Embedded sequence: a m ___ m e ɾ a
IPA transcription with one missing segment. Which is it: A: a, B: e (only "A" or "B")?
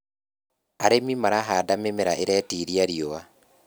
B